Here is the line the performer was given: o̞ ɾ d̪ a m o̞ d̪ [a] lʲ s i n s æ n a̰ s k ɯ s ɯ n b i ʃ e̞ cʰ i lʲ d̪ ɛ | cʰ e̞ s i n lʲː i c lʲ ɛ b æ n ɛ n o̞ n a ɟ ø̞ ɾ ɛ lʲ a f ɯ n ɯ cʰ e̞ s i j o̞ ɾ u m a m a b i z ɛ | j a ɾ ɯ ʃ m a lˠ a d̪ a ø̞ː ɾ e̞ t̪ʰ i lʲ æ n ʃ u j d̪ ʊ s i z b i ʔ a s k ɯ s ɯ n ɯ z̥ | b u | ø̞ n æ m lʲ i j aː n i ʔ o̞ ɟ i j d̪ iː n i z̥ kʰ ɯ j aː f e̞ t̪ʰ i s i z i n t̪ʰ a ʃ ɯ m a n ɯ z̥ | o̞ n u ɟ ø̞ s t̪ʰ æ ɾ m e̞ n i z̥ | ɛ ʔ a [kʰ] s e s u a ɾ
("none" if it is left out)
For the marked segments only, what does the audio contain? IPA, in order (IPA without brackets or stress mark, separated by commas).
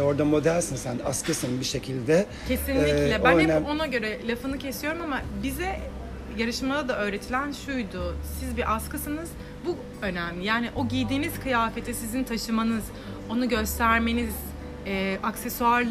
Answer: æ, k